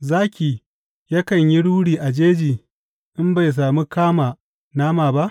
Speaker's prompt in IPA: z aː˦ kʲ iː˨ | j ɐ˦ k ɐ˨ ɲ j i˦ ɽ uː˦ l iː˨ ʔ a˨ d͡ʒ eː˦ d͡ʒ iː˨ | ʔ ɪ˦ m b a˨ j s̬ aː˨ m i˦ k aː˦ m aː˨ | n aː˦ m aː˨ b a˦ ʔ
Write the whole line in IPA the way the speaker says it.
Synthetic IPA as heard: z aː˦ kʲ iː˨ | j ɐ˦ k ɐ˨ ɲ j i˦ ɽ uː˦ ɽ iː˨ ʔ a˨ d͡ʒ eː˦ d͡ʒ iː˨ | ʔ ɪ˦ m b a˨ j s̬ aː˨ m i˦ k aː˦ m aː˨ | n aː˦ m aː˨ b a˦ ʔ